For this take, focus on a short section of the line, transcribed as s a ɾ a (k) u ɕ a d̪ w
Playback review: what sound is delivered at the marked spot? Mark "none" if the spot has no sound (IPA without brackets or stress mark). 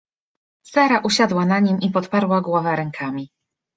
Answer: ʔ